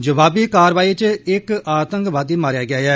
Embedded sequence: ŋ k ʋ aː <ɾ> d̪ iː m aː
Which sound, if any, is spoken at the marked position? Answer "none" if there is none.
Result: none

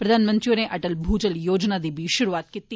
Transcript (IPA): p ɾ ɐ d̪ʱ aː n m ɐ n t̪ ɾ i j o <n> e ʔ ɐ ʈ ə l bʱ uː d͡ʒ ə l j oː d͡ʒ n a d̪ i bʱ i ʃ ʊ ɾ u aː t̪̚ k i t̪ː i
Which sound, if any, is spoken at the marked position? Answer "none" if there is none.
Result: n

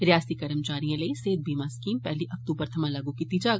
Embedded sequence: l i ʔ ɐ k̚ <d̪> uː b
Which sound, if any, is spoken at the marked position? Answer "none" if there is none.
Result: t̪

